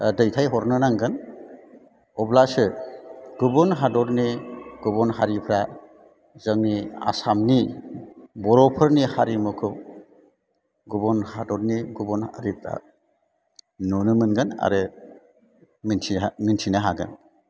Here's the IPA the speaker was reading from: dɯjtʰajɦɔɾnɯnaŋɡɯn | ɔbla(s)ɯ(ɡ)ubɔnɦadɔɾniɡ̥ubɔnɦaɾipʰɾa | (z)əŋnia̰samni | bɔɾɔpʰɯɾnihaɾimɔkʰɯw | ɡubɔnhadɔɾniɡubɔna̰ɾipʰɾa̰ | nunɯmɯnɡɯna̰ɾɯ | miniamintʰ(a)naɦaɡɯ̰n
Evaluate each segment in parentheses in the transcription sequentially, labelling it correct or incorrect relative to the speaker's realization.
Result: correct, correct, correct, incorrect

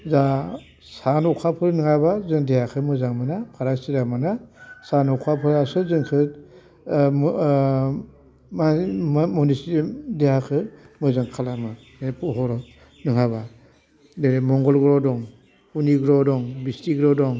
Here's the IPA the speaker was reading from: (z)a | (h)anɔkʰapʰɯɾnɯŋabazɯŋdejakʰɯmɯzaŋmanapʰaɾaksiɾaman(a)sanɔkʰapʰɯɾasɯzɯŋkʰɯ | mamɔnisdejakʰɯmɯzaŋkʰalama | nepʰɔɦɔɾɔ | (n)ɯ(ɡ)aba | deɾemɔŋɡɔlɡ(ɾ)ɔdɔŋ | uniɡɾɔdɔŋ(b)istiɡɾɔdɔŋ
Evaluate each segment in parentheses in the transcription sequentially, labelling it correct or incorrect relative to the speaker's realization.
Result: correct, incorrect, correct, correct, incorrect, correct, correct

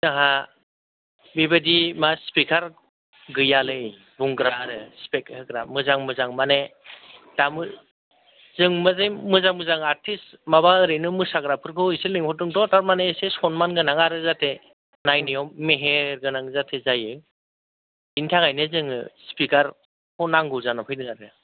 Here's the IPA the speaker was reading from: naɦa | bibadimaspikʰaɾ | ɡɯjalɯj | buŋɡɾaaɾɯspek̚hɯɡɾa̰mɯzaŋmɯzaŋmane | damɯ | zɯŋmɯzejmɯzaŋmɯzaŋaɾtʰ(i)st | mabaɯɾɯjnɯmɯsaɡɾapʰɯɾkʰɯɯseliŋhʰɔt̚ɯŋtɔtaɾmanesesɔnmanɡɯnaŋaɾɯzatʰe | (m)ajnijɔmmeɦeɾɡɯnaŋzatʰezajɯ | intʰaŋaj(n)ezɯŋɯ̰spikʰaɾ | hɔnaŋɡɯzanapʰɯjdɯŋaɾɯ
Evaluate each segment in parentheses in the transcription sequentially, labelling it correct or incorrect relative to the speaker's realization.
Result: correct, incorrect, correct

